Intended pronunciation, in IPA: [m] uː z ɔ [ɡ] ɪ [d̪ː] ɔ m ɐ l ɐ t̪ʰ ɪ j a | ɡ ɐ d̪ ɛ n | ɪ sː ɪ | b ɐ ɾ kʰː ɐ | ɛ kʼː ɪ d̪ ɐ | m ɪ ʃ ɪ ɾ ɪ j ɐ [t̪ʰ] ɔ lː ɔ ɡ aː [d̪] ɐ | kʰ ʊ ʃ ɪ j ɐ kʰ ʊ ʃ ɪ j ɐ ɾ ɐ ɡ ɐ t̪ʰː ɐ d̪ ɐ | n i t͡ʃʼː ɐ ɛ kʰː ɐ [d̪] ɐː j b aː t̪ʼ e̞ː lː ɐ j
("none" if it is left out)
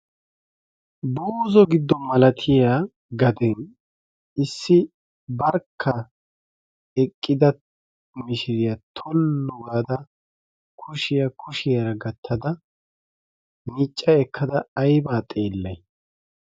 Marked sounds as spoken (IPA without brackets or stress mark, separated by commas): b, ɡ, d̪ː, t̪ʰ, d̪, d̪